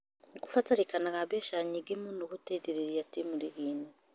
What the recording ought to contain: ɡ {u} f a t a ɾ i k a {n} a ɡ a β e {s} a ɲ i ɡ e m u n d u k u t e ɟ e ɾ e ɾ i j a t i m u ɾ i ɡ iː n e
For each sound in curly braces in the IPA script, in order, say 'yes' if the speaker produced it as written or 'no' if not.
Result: yes, yes, no

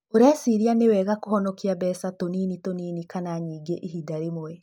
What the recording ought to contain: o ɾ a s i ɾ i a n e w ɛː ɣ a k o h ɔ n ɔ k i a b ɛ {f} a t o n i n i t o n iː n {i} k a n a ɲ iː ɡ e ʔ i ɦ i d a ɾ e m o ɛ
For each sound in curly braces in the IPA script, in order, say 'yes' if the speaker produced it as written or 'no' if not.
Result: no, yes

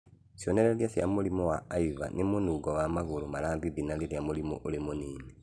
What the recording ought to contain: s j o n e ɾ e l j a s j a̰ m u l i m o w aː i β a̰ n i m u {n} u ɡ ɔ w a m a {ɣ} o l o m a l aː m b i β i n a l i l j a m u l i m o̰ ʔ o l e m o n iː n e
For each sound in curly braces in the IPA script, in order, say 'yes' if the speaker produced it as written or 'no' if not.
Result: yes, yes

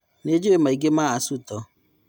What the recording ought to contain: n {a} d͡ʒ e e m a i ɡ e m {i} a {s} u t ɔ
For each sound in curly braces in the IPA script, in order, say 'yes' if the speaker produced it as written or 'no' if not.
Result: no, no, yes

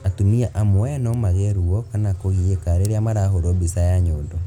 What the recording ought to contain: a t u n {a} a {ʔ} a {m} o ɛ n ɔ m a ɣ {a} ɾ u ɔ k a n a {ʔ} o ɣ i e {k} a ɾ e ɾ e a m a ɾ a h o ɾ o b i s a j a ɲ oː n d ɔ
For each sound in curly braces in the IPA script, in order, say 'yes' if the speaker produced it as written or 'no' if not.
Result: no, yes, yes, no, no, yes

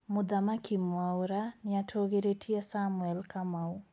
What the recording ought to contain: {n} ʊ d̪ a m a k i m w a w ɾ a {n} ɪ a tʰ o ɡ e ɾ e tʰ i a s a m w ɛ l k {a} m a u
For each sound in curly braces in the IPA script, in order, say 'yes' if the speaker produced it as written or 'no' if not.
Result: no, yes, yes

